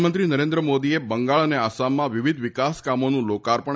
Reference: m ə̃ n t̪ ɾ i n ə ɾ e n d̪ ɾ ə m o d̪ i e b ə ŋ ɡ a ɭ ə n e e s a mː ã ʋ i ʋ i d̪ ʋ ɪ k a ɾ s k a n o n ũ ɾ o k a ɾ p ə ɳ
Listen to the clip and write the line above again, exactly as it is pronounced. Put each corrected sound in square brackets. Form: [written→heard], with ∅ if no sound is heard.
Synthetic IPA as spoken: m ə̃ n t̪ ɾ i n ə ɾ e n d̪ ɾ ə m o d̪ i e b ə ŋ ɡ a ɭ ə n e [e→a] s a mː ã ʋ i ʋ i d̪ ʋ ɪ k a [ɾ→∅] s k a [n→m] o n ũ [ɾ→l] o k a ɾ p ə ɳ

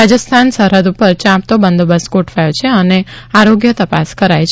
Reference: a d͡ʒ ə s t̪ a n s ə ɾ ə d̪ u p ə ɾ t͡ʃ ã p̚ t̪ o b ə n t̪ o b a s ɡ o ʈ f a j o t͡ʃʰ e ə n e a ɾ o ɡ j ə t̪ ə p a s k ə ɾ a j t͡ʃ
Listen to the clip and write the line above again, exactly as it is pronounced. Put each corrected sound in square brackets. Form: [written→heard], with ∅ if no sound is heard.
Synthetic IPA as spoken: a d͡ʒ ə s [t̪→t̪ʰ] a n s ə ɾ ə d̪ u p ə ɾ t͡ʃ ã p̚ t̪ o b ə n [t̪→d̪] o b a s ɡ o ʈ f a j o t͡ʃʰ e ə n e a ɾ o ɡ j ə t̪ ə p a s k ə ɾ a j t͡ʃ

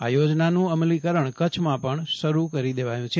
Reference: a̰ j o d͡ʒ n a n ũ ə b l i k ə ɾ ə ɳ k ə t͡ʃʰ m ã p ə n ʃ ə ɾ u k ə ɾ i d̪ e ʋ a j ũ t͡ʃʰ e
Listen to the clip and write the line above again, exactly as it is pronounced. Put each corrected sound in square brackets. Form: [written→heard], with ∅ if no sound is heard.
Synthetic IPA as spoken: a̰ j o d͡ʒ n a n ũ ə [b→m] l i k ə ɾ ə ɳ k ə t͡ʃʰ m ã p ə [n→ɳ] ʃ ə ɾ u k ə ɾ i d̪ e ʋ a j ũ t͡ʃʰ e

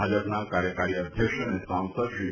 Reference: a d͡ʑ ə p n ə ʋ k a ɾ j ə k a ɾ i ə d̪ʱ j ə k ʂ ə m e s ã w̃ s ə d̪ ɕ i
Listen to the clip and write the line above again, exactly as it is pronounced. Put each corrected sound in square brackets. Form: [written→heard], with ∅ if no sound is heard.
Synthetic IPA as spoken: a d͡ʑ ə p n [ə→a] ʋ k a ɾ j ə k a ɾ i ə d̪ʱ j ə k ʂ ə [m→n] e s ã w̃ s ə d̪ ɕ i

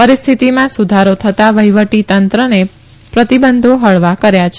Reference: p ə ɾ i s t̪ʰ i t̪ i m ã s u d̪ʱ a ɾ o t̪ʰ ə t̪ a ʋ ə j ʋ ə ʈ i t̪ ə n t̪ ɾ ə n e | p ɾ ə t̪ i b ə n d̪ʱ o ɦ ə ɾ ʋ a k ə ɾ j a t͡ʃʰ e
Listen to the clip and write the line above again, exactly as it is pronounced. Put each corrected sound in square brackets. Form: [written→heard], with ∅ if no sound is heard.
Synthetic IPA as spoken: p ə ɾ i s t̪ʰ i t̪ i m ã s u d̪ʱ a ɾ o t̪ʰ ə t̪ a ʋ ə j ʋ ə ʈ i t̪ ə n t̪ ɾ ə n e | p ɾ ə t̪ i b ə n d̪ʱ o ɦ ə [ɾ→ɭ] ʋ a k ə ɾ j a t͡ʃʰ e

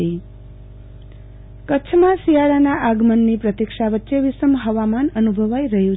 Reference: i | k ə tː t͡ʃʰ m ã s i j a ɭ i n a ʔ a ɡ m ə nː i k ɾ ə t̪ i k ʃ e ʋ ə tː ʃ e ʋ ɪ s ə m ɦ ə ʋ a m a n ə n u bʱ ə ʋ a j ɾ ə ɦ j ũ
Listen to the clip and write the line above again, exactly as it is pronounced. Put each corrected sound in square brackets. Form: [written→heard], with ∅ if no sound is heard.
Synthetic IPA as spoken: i | k ə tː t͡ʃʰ m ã s i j a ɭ [i→a] n a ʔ a ɡ m ə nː i [k→p] ɾ ə t̪ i k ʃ [e→a] ʋ ə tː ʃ e ʋ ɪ s ə m ɦ ə ʋ a m a n ə n u bʱ ə ʋ a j ɾ ə ɦ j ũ

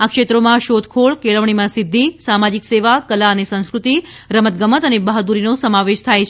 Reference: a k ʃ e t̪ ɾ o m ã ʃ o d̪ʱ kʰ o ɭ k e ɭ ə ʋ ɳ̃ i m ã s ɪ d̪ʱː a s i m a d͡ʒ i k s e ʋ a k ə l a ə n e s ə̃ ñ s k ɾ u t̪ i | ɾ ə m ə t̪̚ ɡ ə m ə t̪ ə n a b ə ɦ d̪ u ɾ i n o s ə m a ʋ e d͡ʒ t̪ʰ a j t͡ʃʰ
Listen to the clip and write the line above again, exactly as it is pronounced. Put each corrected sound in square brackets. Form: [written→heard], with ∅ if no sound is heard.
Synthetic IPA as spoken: a k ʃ e t̪ ɾ o m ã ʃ o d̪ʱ kʰ o ɭ k e ɭ ə ʋ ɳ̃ i m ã s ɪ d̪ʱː [a→i] s [i→a] m a d͡ʒ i k s e ʋ a k ə l a ə n e s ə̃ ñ s k ɾ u t̪ i | ɾ ə m ə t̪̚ ɡ ə m ə t̪ ə n [a→e] b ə ɦ d̪ u ɾ i n o s ə m a ʋ e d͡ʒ t̪ʰ a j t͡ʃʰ

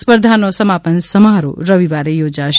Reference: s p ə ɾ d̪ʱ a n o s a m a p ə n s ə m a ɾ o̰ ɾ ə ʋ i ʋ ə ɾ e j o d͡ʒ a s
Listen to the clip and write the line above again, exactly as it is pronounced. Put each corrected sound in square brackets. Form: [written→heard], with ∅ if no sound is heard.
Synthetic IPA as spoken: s p ə ɾ d̪ʱ a n o s [a→ə] m a p ə n s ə m a ɾ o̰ ɾ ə ʋ i ʋ [ə→a] ɾ e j o d͡ʒ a [s→ʃ]

